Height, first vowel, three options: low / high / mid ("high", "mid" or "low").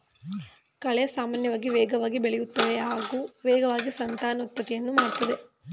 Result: low